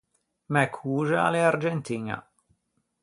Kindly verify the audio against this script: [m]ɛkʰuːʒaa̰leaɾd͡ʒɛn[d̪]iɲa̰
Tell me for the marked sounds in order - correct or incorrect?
correct, incorrect

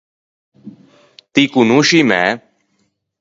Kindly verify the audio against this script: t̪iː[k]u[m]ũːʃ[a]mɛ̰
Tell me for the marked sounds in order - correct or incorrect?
correct, incorrect, incorrect

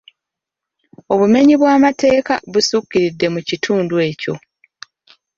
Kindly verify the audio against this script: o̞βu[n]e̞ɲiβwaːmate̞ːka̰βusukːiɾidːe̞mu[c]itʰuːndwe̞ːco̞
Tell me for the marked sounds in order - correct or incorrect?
incorrect, correct

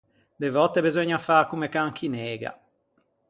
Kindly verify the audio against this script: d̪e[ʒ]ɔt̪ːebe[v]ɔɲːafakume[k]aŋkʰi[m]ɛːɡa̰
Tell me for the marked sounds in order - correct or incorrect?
incorrect, incorrect, correct, incorrect

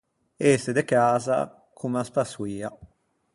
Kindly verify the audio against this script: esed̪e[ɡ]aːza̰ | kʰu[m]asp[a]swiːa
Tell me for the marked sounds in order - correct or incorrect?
incorrect, correct, correct

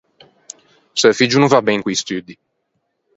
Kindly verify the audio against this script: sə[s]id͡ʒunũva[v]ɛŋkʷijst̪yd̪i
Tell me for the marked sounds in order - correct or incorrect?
incorrect, incorrect

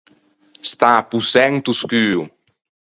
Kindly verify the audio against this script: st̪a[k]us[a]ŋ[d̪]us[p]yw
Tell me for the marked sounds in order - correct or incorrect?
incorrect, incorrect, incorrect, incorrect

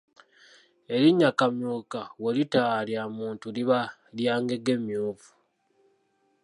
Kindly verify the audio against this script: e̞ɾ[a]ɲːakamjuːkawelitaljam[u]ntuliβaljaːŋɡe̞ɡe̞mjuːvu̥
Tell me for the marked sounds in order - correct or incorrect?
incorrect, incorrect

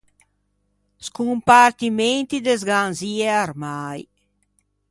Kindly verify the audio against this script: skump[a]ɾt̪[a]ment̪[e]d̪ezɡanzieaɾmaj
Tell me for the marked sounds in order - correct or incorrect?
correct, incorrect, incorrect

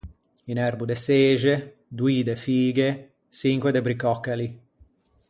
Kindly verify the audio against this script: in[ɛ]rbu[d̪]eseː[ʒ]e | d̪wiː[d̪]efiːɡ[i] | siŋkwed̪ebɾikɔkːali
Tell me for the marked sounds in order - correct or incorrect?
correct, correct, correct, correct, incorrect

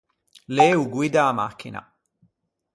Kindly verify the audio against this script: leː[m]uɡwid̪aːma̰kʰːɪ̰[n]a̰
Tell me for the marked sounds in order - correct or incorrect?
incorrect, correct

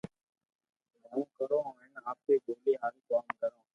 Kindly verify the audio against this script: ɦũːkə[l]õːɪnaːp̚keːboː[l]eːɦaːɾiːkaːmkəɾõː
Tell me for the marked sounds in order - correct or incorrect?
incorrect, correct

